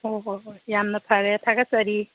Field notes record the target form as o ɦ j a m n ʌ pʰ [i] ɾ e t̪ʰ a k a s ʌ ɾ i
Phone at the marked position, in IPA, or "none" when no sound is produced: a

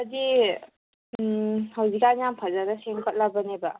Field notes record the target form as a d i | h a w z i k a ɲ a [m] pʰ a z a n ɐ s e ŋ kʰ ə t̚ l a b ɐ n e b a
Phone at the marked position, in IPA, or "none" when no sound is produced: m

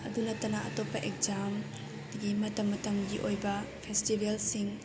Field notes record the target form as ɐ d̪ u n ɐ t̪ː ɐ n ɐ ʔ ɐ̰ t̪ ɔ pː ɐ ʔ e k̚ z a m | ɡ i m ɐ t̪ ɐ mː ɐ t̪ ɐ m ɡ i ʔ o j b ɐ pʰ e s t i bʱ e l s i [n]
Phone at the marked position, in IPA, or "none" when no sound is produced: ŋ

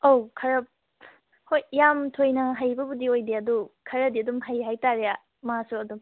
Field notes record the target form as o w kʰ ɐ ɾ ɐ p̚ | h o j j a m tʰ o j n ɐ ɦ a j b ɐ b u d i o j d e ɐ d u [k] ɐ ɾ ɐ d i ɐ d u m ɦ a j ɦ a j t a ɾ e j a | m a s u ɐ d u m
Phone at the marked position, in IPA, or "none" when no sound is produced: kʰ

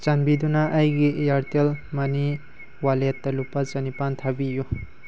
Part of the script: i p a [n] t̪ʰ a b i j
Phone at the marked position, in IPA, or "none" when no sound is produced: n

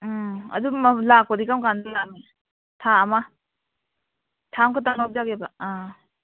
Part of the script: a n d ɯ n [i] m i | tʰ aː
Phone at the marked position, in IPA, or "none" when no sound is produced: a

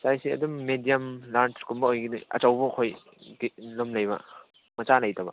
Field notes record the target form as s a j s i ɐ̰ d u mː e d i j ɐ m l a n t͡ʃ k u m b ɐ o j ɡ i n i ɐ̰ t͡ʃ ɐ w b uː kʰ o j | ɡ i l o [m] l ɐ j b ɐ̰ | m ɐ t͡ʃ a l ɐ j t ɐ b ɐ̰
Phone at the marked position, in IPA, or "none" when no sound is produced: m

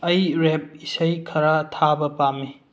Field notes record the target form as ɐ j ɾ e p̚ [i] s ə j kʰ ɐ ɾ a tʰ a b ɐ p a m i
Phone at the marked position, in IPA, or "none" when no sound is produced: i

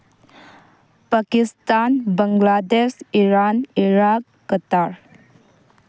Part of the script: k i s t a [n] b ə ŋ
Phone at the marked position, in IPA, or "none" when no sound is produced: n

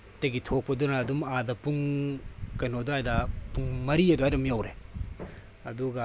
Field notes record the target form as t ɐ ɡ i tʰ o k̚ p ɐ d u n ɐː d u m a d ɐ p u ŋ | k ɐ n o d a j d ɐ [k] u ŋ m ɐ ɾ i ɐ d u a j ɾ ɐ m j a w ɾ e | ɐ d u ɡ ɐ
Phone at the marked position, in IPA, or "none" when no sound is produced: p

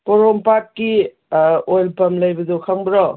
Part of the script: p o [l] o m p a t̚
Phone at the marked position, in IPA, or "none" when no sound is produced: ɾ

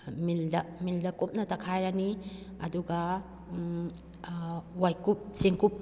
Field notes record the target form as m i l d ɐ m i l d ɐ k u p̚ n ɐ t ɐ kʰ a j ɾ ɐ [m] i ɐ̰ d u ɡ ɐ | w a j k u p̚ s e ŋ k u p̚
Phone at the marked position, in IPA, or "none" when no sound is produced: n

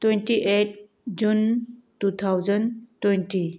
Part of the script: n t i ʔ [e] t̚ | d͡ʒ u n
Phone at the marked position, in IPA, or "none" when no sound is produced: e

